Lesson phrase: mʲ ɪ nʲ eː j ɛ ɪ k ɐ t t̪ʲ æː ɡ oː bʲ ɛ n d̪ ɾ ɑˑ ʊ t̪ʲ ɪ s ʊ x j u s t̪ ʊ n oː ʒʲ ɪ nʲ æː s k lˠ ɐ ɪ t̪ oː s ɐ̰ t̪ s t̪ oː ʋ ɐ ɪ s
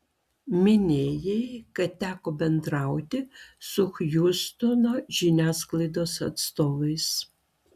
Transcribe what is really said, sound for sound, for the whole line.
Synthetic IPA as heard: mʲ ɪ nʲ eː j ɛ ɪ k ɐ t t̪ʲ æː k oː bʲ ɛ n d̪ ɾ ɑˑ ʊ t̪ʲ ɪ s ʊ x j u s t̪ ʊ n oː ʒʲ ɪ nʲ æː s k lˠ ɐ ɪ d̪ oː s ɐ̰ t̪ s t̪ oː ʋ ɐ ɪ s

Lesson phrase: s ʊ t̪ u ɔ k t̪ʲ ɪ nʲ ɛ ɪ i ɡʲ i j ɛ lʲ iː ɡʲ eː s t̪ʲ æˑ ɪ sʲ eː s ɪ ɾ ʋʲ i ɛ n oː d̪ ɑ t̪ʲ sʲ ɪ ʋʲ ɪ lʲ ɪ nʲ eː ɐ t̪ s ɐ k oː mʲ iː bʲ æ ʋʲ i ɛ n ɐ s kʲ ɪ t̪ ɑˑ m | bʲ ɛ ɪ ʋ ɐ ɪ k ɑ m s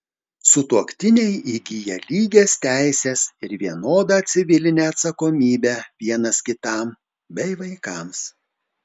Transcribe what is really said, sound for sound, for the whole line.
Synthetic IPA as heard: s ʊ t̪ u ɔ k t̪ʲ ɪ nʲ ɛ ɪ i ɡʲ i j ɛ lʲ iː ɡʲ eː s t̪ʲ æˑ ɪ sʲ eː s ɪ ɾ ʋʲ i ɛ n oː d̪ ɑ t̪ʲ sʲ ɪ ʋʲ ɪ lʲ ɪ nʲ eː ɐ t̪ s ɐ k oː mʲ iː bʲ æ ʋʲ i ɛ n ɐ s kʲ ɪ t̪ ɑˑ m | bʲ ɛ ɪ ʋ ɐ ɪ k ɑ m s

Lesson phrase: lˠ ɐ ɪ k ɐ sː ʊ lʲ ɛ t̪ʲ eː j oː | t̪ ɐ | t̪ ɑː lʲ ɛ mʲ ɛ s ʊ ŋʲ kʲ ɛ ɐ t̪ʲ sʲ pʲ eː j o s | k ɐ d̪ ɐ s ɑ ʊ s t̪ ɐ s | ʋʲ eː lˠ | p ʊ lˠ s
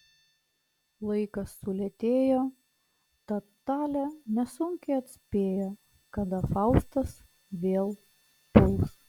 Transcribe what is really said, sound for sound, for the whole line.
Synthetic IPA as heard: lˠ ɐ ɪ k ɐ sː ʊ lʲ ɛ t̪ʲ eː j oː | t̪ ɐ | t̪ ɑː lʲ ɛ nʲ ɛ s ʊ ŋʲ kʲ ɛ ɐ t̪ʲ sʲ pʲ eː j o | k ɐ d̪ ɐ f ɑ ʊ s t̪ ɐ s | ʋʲ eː lˠ | p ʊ lˠ s

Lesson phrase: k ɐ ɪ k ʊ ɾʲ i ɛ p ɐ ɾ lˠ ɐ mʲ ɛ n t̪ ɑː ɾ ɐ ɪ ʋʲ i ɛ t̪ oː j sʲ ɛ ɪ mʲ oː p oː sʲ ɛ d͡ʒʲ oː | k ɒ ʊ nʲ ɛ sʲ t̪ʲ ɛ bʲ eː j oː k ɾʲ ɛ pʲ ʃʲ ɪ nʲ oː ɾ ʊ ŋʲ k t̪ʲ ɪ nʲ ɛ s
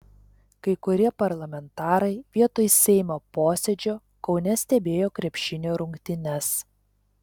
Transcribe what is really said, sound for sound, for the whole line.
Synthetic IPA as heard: k ɐ ɪ k ʊ ɾʲ i ɛ p ɐ ɾ lˠ ɐ mʲ ɛ n t̪ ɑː ɾ ɐ ɪ ʋʲ i ɛ t̪ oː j sʲ ɛ ɪ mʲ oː p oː sʲ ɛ d͡ʒʲ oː | k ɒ ʊ nʲ ɛ sʲ t̪ʲ ɛ bʲ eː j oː k ɾʲ ɛ pʲ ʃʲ ɪ nʲ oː ɾ ʊ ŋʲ k t̪ʲ ɪ nʲ ɛ s

